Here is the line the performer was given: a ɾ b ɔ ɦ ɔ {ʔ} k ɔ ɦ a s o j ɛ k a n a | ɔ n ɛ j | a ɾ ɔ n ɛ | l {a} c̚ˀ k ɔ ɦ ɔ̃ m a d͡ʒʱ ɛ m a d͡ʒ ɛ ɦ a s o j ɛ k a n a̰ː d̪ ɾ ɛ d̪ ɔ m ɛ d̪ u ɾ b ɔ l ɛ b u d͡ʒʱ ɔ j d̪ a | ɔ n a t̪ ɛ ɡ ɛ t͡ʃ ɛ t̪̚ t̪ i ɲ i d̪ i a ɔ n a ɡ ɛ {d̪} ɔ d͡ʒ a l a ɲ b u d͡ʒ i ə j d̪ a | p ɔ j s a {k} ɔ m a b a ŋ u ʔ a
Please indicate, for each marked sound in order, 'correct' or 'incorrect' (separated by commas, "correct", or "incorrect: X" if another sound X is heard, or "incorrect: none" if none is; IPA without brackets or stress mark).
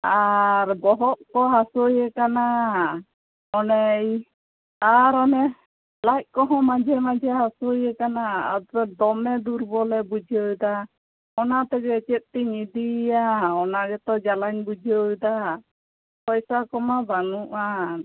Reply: correct, correct, incorrect: t̪, correct